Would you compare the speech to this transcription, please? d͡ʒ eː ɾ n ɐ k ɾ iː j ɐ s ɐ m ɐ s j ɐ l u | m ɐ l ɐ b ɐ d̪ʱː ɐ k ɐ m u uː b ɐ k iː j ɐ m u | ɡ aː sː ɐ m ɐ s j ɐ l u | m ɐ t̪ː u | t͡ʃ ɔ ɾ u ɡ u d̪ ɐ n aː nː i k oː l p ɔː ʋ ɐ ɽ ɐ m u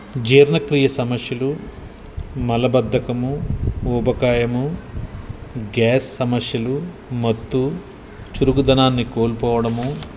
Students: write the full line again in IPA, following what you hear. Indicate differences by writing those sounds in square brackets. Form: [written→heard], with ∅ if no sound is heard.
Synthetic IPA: d͡ʒ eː ɾ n ɐ k ɾ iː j ɐ s ɐ m ɐ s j ɐ l u | m ɐ l ɐ b ɐ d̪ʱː ɐ k ɐ m u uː b ɐ k [iː→aː] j ɐ m u | ɡ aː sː ɐ m ɐ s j ɐ l u | m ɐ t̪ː u | t͡ʃ [ɔ→u] ɾ u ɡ u d̪ ɐ n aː nː i k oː l p ɔː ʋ ɐ ɽ ɐ m u